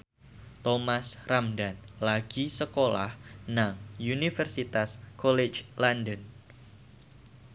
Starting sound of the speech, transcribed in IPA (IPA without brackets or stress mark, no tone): t̪